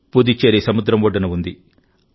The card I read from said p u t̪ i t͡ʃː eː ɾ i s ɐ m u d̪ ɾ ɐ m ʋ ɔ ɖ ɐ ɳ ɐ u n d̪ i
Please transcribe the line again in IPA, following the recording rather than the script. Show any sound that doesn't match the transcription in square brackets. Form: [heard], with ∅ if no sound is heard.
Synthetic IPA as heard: p u [d̪] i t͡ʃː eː ɾ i s ɐ m u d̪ ɾ ɐ m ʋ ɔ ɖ ɐ [n] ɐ u n d̪ i